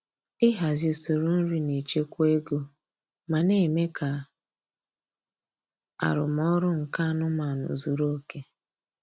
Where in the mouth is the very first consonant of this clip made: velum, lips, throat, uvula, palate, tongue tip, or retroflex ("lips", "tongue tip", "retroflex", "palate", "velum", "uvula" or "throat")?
throat